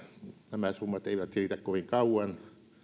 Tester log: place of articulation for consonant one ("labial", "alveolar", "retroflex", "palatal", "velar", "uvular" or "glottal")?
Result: alveolar